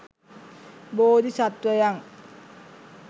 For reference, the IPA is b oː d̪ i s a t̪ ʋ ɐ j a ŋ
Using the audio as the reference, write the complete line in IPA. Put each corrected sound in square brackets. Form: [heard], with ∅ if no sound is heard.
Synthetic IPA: b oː d̪ i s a t̪ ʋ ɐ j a ŋ